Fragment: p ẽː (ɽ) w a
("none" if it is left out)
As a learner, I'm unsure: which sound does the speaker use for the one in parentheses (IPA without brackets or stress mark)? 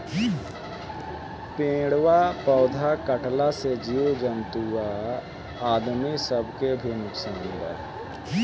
ɽ